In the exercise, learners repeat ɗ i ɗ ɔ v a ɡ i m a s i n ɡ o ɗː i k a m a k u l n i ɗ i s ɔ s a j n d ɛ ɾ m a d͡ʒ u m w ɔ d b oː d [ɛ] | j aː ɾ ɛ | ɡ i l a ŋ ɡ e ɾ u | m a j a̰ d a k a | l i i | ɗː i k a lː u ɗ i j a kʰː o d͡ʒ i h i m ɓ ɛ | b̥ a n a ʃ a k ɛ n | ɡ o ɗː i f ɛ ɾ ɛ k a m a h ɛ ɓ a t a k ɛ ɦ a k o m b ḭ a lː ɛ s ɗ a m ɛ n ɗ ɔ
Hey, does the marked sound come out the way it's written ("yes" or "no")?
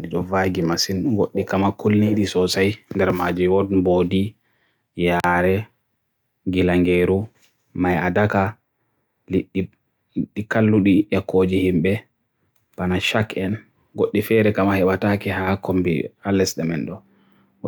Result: no